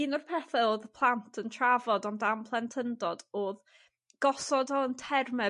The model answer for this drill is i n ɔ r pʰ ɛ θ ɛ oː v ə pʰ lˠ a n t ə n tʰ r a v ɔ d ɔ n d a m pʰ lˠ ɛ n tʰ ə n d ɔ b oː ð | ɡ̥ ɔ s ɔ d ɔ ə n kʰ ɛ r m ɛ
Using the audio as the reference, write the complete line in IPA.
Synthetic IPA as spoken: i n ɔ r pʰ ɛ θ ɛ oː ð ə pʰ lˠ a n tʰ ə n tʰ r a v ɔ d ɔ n d a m pʰ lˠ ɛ n tʰ ə n d ɔ d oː ð | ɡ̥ ɔ s ɔ d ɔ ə n tʰ ɛ r m ɛ